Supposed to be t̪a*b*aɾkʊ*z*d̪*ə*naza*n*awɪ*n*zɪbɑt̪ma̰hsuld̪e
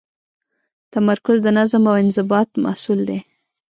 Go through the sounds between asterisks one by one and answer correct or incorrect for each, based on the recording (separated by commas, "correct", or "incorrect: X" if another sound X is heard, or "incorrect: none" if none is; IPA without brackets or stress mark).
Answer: incorrect: m, correct, correct, incorrect: m, correct